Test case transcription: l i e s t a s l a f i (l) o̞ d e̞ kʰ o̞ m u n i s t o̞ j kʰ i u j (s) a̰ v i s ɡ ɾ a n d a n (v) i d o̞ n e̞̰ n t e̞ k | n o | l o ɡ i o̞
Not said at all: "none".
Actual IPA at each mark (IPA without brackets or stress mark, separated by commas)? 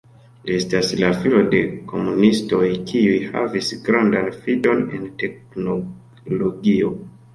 l, h, f